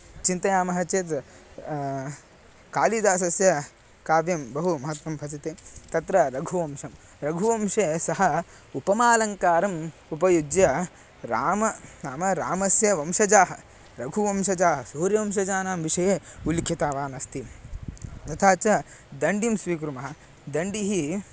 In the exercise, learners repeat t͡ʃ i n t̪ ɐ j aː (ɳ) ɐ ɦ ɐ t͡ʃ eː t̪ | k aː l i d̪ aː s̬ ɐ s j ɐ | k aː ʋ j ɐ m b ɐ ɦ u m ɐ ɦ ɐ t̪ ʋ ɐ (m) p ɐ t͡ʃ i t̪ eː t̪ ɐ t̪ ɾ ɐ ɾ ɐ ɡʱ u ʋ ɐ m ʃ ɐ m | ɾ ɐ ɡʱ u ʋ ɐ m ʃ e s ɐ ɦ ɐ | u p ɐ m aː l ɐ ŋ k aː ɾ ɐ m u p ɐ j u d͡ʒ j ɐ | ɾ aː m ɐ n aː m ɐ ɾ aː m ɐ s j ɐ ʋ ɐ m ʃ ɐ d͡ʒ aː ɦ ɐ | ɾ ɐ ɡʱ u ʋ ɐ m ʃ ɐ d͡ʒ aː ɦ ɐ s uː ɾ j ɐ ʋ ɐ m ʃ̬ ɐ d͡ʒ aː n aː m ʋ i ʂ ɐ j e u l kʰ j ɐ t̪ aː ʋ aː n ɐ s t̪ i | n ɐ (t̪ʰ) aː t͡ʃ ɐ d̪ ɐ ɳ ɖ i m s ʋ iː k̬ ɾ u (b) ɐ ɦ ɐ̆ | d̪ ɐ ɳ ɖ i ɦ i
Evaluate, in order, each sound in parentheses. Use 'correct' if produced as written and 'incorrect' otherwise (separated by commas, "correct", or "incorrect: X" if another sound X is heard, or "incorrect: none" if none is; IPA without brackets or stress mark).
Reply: incorrect: m, correct, correct, incorrect: m